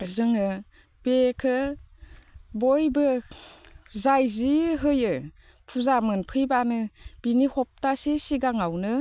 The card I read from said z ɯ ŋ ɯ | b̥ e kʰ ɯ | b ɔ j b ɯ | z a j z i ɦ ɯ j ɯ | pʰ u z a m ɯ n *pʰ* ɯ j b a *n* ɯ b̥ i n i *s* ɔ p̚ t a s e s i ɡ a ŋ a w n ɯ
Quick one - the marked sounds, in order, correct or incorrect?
correct, correct, incorrect

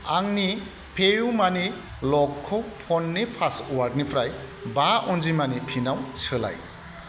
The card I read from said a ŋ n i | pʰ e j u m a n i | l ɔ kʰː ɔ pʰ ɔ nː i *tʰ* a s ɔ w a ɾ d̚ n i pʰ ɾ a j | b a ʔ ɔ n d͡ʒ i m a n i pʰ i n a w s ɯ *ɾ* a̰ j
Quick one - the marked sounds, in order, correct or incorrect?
incorrect, incorrect

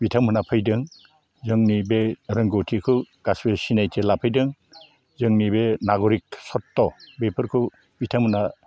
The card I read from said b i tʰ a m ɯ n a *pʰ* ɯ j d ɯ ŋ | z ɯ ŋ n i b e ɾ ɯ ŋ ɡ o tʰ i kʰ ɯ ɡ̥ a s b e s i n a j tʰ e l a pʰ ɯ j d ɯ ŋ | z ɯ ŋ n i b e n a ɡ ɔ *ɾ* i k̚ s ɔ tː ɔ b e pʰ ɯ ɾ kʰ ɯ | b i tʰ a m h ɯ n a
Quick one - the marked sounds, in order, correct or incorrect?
correct, correct

